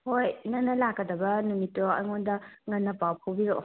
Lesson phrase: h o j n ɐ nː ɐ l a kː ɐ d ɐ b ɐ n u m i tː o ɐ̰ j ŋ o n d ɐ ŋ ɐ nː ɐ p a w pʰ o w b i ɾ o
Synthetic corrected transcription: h o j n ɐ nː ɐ l a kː ɐ d ɐ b ɐ n u m i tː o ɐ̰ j ŋ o n d ɐ ŋ ɐ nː ɐ p a w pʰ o w b i ɾ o